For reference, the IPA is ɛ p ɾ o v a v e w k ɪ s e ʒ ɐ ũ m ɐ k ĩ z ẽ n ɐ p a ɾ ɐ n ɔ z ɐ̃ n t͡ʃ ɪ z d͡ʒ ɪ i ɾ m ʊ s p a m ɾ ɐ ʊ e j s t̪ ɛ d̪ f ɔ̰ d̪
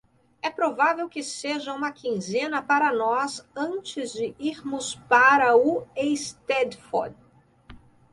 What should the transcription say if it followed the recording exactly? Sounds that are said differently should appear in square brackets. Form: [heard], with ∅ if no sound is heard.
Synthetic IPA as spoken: ɛ p ɾ o v a v e w k ɪ s e ʒ ɐ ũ m ɐ k ĩ z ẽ n ɐ p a ɾ ɐ n ɔ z ɐ̃ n t͡ʃ ɪ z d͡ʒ ɪ i ɾ m ʊ s p a [∅] ɾ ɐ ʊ e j s t̪ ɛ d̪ f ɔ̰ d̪